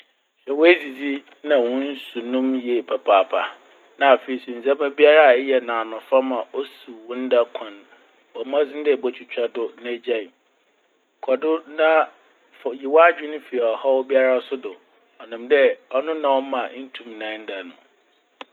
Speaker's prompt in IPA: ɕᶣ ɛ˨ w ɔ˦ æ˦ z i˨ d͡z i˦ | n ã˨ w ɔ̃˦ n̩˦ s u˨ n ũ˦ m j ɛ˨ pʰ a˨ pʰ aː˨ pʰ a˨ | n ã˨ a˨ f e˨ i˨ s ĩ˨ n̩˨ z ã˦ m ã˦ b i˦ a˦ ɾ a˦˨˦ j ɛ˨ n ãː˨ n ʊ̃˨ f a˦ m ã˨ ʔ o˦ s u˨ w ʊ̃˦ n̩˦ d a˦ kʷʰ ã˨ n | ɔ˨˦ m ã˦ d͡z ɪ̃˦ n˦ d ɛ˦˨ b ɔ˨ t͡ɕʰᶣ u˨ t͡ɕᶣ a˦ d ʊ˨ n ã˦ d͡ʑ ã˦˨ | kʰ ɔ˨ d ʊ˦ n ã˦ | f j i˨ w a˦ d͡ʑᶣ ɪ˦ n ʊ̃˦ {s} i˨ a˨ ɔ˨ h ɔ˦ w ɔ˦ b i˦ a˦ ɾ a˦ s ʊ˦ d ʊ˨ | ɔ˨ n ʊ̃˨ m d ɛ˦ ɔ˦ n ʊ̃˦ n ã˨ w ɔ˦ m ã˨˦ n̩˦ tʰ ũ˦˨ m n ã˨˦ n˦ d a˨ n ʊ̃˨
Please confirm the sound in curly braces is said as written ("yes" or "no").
no